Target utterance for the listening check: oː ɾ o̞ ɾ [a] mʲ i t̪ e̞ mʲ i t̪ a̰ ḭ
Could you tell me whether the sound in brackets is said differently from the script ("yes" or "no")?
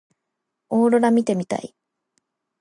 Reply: no